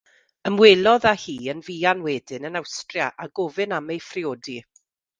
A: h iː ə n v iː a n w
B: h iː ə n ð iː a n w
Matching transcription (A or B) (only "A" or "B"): A